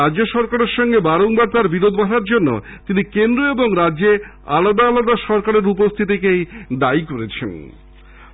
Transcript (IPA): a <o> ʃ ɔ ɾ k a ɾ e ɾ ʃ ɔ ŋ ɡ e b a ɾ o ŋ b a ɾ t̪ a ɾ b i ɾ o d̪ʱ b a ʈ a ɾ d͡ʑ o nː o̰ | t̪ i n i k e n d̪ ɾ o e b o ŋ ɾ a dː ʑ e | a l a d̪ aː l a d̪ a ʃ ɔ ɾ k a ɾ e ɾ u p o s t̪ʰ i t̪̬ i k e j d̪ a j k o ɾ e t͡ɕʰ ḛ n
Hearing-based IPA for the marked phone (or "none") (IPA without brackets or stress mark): o